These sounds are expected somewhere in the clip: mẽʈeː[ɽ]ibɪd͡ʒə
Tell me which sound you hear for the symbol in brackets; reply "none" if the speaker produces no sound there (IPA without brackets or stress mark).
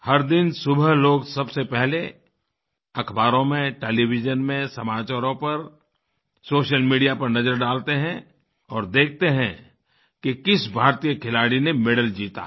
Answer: l